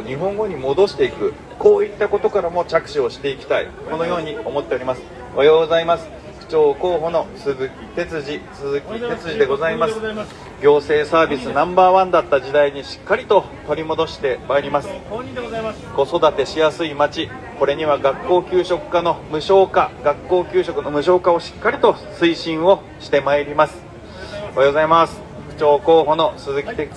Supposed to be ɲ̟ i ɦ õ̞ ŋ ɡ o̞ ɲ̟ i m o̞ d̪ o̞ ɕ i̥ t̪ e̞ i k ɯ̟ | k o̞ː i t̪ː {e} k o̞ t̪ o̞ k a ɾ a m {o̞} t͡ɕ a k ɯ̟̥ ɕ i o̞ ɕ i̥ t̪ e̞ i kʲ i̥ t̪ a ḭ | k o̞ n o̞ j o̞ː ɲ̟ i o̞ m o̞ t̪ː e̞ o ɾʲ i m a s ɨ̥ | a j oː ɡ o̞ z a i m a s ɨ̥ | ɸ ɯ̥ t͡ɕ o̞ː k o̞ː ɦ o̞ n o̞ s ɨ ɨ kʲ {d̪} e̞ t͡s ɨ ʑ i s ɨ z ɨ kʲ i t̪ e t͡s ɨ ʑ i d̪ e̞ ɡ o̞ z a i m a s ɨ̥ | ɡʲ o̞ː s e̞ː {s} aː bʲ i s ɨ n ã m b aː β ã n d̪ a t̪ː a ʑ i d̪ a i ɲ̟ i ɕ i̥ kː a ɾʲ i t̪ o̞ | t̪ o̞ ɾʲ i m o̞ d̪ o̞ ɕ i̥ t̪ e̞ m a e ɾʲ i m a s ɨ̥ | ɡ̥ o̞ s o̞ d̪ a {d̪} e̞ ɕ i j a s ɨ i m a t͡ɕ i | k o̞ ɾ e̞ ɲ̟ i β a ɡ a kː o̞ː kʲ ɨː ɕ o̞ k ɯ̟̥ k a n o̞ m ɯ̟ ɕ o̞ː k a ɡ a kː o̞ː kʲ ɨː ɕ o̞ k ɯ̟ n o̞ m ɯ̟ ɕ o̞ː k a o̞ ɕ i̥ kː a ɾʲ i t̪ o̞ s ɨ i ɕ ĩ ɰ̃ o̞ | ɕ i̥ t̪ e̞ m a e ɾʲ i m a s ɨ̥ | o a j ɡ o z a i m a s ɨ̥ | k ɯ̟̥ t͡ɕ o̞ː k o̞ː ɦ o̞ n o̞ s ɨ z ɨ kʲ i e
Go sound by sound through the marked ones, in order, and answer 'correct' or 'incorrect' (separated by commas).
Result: incorrect, correct, incorrect, correct, incorrect